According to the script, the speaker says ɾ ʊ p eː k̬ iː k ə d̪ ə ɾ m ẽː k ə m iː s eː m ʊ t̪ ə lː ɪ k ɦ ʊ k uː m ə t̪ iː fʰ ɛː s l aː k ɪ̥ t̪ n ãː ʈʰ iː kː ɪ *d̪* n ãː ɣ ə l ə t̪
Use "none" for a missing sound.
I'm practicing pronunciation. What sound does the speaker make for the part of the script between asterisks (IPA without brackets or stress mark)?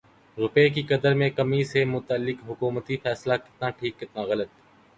t̪